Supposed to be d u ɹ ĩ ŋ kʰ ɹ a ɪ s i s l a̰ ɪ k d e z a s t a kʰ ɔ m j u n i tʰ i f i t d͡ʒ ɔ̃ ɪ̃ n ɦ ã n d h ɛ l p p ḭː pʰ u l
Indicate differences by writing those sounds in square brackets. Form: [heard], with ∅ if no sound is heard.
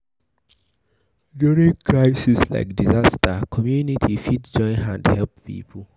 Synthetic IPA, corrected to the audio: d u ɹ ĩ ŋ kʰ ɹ a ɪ s i s l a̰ ɪ k d [i] z a s t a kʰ ɔ m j u n i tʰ i f i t d͡ʒ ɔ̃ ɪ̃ n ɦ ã n d h ɛ l p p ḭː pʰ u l